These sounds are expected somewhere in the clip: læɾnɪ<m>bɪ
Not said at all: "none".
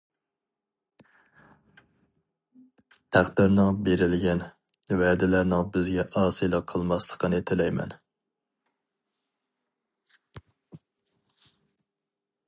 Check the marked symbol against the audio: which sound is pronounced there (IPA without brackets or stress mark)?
ŋ